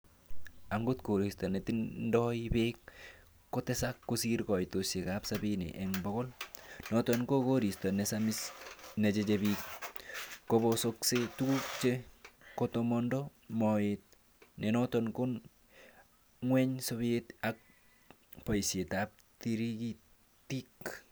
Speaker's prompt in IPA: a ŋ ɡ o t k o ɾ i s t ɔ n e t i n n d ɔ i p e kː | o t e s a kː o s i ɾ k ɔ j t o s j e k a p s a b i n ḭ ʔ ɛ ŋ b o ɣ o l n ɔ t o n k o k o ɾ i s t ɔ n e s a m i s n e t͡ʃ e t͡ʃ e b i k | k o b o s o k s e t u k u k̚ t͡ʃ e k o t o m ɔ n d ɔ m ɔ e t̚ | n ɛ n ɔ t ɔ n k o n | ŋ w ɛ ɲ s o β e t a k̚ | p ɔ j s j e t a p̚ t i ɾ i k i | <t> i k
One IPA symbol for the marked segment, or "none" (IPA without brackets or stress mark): t